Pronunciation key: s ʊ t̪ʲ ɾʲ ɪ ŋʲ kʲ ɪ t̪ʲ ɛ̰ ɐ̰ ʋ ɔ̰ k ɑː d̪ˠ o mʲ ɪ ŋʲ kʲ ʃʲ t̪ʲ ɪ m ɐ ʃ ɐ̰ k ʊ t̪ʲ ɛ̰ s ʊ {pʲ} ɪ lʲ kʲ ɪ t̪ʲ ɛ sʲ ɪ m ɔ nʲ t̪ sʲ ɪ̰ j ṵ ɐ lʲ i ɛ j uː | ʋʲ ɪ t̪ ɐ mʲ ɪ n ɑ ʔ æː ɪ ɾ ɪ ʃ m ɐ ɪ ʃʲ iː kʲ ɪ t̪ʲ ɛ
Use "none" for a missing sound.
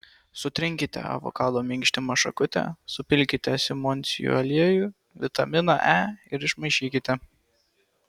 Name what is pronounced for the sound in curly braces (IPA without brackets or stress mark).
pʲ